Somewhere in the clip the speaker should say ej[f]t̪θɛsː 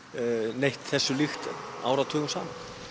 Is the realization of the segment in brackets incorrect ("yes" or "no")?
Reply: yes